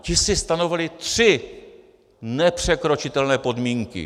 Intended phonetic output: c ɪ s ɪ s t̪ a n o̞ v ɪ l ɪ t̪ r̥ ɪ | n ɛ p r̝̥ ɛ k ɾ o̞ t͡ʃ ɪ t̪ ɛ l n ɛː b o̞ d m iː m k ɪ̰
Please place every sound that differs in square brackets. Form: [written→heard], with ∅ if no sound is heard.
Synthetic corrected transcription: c ɪ s ɪ s t̪ a n o̞ v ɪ l ɪ t̪ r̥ ɪ | n ɛ p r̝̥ ɛ k ɾ o̞ t͡ʃ ɪ t̪ ɛ l n ɛː [b→p] o̞ d m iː [m→ŋ] k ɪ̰